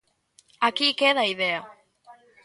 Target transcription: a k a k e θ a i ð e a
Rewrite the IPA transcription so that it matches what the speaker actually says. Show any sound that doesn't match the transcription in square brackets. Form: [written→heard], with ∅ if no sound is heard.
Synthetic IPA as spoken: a k [a→i] k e [θ→ð] a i ð e a